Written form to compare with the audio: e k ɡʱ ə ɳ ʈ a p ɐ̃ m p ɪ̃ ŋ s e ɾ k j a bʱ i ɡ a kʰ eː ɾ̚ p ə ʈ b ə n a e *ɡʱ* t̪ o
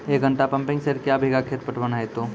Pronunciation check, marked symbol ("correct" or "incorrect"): incorrect